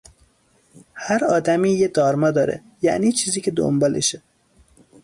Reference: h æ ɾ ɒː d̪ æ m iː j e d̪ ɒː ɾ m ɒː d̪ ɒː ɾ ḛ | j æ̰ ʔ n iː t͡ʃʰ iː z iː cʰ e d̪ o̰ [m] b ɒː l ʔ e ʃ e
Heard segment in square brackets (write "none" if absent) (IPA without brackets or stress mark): m